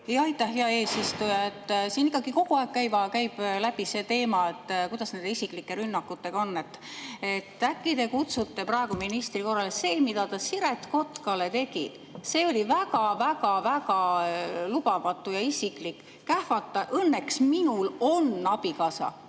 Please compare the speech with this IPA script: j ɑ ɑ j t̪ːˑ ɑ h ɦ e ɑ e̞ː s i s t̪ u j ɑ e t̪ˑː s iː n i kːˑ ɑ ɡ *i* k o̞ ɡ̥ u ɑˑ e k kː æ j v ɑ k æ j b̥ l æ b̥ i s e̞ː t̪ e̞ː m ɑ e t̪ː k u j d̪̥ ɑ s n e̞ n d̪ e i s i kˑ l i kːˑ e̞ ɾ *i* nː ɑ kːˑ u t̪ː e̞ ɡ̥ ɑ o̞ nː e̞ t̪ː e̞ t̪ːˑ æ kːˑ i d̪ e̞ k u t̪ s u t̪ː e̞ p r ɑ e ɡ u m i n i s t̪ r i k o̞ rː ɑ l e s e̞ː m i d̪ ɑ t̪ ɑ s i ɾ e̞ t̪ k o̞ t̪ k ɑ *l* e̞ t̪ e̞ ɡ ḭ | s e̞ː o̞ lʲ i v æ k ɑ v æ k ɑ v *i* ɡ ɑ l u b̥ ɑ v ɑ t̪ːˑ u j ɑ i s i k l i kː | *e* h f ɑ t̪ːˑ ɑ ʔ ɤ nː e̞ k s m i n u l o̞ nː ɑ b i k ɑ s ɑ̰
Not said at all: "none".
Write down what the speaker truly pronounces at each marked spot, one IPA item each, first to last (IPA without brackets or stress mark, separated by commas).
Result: i, y, l, æ, æ